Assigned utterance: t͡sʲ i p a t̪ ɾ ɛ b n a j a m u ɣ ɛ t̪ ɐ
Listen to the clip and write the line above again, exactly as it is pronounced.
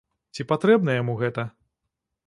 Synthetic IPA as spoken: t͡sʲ i p a t̪ ɾ ɛ b n ɐ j a m u ɣ ɛ t̪ ɐ